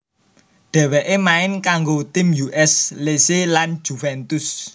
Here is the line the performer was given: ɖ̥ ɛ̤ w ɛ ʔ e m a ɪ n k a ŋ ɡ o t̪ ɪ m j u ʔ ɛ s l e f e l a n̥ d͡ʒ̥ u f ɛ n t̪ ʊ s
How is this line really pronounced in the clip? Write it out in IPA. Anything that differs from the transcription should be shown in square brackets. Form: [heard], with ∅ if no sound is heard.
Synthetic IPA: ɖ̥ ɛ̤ w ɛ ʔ e m a ɪ n k a ŋ ɡ o t̪ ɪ m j u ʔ ɛ s l e [s] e l a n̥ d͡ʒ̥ u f ɛ n t̪ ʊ s